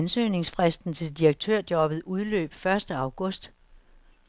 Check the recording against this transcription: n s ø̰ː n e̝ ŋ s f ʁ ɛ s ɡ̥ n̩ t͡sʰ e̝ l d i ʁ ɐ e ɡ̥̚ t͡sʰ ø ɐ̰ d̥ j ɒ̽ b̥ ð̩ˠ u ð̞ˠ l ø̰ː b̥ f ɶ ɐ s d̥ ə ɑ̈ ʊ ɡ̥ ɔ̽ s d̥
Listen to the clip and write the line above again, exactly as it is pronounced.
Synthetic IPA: n s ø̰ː n e̝ ŋ s f ʁ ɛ s d̥ n̩ t͡sʰ e̝ l d i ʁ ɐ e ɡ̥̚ t͡sʰ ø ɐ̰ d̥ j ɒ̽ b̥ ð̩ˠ u ð̞ˠ l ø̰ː b̥ f ɶ ɐ s d̥ ə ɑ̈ ʊ ɡ̥ ɔ̽ s d̥